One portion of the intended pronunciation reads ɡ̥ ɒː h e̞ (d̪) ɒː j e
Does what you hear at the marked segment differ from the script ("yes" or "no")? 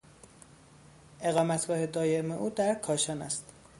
no